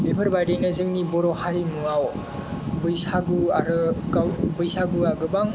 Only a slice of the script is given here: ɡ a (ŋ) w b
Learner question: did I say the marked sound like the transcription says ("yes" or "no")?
no